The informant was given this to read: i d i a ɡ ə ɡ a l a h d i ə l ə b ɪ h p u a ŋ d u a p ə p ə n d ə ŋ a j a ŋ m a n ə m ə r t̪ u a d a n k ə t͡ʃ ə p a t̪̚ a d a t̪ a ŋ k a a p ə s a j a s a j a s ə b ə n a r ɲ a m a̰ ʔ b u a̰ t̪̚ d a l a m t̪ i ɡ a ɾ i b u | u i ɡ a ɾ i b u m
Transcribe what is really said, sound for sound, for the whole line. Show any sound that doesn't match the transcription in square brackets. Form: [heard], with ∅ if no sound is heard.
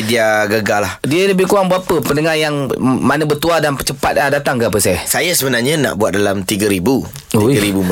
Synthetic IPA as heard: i d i a ɡ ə ɡ a l a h d i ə l ə b ɪ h [k] u a ŋ [b] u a p ə p ə n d ə ŋ a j a ŋ m a n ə [b] ə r t̪ u a d a n [p] ə t͡ʃ ə p a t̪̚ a d a t̪ a ŋ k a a p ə s a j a s a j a s ə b ə n a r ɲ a [n] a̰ ʔ b u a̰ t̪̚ d a l a m t̪ i ɡ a ɾ i b u | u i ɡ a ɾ i b u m